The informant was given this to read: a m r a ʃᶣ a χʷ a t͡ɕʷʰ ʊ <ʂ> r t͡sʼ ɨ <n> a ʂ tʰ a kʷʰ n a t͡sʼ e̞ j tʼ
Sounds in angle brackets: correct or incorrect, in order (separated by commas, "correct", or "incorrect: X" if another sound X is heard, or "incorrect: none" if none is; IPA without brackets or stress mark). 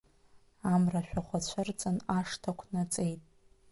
incorrect: none, correct